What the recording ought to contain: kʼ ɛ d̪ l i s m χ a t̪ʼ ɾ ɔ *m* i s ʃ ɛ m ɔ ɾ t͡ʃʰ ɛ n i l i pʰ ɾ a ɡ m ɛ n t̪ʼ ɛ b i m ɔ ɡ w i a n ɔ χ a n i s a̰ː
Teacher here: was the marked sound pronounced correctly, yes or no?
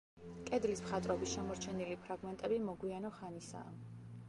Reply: no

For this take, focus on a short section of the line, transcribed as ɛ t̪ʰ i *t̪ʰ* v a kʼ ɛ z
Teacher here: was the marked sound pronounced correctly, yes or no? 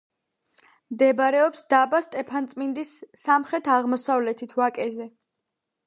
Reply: yes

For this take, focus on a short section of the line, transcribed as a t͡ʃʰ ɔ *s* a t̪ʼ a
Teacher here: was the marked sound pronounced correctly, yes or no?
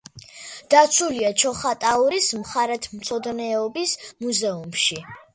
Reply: no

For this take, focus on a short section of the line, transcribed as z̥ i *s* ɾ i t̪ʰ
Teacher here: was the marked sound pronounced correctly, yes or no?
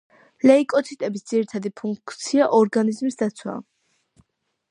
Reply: no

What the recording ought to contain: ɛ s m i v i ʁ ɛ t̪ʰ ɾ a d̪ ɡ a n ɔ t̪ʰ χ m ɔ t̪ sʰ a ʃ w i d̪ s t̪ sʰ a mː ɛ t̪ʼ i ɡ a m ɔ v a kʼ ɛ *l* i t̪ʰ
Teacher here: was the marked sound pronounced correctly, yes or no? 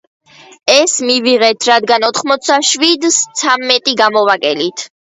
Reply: yes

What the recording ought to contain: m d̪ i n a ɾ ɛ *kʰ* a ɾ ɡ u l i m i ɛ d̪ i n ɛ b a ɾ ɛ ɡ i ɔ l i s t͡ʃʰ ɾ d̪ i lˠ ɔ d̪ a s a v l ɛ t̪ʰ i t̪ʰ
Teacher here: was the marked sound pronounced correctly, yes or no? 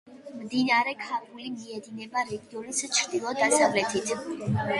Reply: yes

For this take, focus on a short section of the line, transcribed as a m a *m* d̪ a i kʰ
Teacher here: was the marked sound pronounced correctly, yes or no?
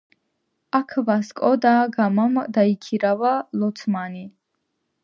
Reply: yes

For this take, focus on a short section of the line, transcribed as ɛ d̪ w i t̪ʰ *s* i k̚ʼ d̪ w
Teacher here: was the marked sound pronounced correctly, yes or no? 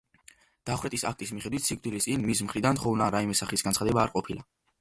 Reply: yes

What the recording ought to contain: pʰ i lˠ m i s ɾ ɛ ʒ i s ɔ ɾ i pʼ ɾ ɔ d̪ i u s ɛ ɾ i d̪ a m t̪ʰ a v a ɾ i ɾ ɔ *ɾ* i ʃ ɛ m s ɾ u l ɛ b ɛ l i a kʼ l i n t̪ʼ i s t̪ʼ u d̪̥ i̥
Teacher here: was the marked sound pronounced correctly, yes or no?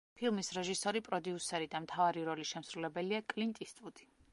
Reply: no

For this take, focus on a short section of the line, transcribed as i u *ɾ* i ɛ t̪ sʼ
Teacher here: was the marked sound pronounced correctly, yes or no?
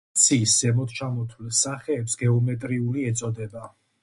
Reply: no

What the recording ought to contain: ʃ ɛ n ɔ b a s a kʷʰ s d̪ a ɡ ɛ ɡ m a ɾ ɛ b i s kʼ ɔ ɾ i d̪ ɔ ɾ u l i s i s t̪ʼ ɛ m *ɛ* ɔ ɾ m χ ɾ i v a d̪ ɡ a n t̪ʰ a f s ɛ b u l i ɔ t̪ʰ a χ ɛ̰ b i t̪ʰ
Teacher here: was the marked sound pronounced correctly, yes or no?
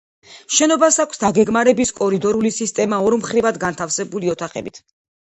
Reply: no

